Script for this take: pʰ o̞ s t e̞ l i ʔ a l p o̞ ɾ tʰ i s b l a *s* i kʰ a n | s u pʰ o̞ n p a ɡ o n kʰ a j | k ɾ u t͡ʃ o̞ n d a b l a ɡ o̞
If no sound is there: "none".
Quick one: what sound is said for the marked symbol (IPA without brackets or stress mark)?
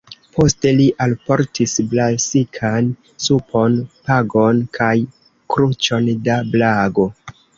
s